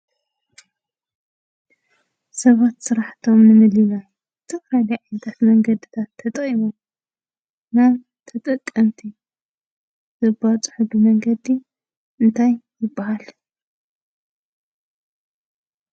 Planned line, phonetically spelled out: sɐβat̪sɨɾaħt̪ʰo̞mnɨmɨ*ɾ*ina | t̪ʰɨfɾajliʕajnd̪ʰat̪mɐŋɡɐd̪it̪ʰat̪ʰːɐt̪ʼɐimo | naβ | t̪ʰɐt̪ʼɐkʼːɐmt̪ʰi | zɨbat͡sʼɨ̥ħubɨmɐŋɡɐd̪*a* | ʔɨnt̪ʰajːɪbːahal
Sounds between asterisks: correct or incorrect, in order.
incorrect: l, incorrect: i

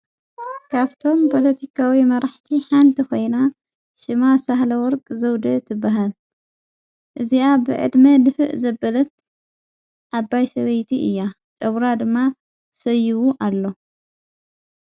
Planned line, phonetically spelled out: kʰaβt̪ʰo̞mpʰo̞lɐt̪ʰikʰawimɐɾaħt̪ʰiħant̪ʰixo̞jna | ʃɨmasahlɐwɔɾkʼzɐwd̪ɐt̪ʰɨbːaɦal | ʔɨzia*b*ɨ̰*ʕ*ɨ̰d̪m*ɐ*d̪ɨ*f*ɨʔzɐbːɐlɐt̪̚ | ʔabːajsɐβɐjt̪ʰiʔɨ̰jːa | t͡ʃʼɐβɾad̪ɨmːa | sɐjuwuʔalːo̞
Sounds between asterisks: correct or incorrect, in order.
correct, correct, correct, correct

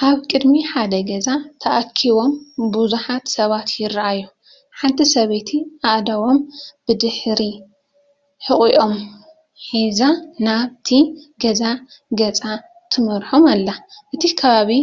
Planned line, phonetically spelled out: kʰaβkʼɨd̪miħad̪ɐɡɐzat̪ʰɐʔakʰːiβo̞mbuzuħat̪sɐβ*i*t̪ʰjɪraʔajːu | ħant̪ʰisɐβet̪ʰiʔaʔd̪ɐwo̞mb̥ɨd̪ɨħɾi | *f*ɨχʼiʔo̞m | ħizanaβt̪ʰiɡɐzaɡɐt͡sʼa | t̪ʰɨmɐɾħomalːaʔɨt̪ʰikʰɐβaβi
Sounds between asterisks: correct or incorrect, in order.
incorrect: a, incorrect: ħ

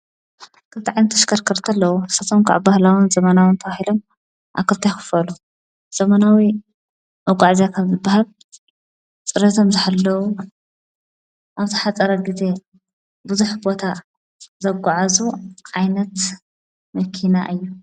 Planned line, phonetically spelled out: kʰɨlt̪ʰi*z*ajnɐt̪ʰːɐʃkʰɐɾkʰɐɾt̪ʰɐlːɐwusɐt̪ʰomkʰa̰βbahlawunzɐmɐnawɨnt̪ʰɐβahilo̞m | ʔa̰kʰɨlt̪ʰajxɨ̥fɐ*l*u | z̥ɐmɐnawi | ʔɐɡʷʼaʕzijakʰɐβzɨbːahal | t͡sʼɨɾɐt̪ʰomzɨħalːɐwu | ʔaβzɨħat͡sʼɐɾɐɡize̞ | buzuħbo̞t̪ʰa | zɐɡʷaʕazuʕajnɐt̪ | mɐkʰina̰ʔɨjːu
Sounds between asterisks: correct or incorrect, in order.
incorrect: ʕ, correct

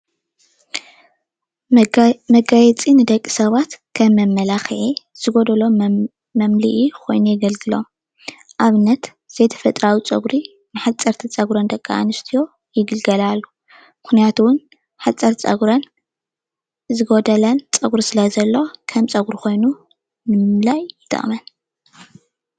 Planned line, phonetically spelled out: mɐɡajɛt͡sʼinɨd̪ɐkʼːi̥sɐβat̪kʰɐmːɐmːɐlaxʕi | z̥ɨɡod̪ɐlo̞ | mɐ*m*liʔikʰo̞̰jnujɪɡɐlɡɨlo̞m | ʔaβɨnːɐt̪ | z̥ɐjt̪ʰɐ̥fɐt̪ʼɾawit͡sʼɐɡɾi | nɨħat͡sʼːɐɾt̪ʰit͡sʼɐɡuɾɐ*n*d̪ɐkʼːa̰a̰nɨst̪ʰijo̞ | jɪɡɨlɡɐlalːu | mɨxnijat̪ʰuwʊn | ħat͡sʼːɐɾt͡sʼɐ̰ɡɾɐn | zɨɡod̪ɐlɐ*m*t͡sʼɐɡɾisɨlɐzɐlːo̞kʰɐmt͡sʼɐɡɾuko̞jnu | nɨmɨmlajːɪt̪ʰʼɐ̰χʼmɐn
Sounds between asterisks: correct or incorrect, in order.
correct, correct, incorrect: n

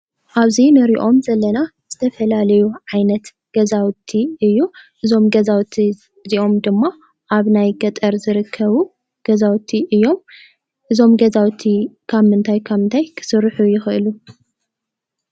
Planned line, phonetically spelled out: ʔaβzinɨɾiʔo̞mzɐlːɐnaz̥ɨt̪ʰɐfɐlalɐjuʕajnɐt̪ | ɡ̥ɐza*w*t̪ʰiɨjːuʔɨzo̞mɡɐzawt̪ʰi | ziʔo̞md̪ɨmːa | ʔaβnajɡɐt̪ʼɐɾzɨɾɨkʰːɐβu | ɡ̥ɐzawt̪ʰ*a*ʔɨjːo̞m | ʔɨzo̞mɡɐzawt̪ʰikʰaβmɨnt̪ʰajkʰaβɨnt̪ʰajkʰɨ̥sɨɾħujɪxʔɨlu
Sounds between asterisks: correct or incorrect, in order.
correct, incorrect: i

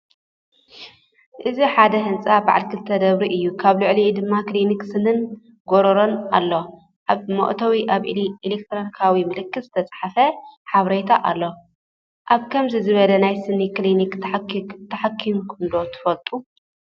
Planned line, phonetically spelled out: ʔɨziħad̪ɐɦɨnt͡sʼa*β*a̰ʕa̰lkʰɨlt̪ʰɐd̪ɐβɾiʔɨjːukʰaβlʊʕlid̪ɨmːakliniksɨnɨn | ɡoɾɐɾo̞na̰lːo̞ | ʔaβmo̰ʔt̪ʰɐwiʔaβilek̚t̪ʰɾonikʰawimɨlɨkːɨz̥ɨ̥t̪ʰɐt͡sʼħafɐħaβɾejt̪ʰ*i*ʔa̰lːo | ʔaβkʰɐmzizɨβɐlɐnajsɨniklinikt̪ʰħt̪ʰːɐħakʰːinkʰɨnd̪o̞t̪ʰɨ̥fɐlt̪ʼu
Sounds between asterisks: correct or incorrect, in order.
incorrect: b, incorrect: a

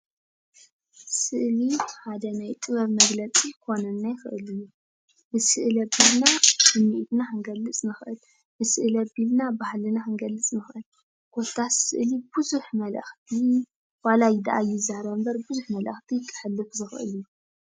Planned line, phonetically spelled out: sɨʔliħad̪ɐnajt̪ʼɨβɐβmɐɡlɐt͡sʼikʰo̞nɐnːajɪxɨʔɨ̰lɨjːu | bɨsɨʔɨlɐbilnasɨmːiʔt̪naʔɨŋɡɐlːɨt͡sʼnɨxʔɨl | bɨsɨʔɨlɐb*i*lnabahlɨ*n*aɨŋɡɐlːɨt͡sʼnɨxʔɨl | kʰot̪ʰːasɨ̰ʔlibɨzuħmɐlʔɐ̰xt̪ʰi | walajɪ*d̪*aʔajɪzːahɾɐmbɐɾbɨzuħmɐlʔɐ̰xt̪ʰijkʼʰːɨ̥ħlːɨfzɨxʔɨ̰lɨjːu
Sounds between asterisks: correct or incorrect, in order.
correct, correct, correct

